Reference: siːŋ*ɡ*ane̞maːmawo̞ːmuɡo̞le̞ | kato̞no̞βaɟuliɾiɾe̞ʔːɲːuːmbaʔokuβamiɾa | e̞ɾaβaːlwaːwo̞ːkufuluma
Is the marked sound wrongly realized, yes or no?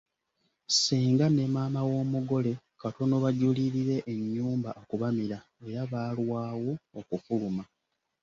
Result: no